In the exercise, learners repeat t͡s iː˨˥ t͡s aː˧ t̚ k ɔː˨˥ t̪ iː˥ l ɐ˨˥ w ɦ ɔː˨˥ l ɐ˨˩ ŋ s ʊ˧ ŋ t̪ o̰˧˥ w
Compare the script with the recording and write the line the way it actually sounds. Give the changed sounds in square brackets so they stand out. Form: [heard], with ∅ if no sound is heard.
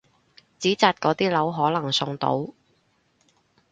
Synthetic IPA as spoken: t͡s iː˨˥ t͡s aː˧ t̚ k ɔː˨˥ t̪ iː˥ l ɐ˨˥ w ɦ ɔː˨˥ l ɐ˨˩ ŋ s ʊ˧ ŋ t̪ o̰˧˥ w